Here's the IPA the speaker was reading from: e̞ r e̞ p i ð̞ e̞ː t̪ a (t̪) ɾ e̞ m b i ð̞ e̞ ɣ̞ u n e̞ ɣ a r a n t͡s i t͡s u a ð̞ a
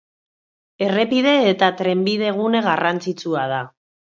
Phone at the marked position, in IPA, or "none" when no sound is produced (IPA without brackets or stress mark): t̪